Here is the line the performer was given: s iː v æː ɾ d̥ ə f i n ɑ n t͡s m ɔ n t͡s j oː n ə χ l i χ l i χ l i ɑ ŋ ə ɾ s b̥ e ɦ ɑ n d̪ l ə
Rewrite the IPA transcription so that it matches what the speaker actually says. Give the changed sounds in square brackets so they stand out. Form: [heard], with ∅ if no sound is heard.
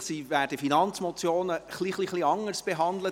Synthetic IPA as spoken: s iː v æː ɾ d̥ ə f i n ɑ n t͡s m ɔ [∅] t͡s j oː n ə χ l i χ l i χ l i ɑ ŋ ə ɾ s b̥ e ɦ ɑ n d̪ l ə